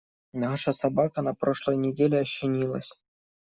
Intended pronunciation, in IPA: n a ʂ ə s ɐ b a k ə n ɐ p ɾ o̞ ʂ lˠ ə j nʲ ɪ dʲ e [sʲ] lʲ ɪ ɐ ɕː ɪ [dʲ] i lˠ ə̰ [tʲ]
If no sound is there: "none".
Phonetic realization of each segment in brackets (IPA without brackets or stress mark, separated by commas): none, nʲ, sʲ